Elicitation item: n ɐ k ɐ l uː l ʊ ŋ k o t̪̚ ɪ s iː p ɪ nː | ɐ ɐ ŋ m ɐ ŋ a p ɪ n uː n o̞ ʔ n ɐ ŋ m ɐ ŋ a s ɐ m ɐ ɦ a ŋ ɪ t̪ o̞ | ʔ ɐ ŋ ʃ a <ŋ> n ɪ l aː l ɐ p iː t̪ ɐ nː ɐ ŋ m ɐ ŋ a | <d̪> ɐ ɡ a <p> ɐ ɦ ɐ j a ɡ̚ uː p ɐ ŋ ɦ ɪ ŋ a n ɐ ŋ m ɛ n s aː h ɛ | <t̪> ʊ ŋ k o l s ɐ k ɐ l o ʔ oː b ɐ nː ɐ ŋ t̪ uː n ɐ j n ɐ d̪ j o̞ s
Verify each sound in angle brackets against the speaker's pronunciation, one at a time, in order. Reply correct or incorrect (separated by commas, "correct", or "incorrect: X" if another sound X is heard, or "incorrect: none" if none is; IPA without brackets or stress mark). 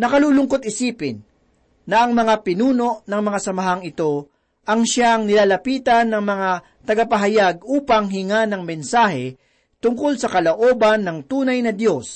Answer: correct, incorrect: t̪, correct, correct